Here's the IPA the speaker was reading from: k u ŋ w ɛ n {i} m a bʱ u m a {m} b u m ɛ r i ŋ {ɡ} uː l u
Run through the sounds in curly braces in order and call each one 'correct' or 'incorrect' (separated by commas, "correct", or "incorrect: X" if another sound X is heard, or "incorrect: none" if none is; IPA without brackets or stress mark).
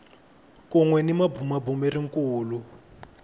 correct, incorrect: none, incorrect: k